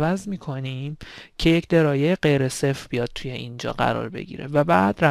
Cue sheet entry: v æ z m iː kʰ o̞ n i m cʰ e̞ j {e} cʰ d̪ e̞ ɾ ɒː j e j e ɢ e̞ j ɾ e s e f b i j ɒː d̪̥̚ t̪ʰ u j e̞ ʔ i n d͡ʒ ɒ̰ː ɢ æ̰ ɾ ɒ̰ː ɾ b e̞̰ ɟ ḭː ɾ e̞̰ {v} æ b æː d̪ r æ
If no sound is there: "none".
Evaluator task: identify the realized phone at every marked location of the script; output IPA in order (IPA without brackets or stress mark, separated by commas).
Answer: e, v